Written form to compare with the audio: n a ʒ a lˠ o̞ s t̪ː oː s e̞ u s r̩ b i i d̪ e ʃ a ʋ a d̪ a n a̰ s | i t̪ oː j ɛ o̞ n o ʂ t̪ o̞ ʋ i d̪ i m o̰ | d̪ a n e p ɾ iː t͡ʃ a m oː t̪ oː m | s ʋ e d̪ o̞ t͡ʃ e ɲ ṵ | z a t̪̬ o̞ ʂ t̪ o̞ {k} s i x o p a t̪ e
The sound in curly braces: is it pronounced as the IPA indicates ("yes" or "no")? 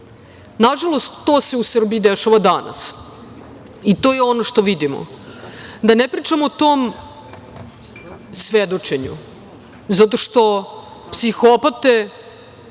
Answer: no